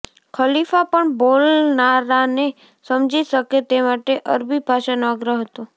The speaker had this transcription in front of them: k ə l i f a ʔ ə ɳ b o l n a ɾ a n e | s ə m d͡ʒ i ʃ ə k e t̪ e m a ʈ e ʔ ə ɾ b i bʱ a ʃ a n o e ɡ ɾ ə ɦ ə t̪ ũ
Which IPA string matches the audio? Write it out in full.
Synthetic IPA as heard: kʰ ə l i f a p ə ɳ b o l n a ɾ a n e | s ə m d͡ʒ i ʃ ə k e t̪ e m a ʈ e ʔ ə ɾ b i bʱ a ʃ a n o a ɡ ɾ ə ɦ ə t̪ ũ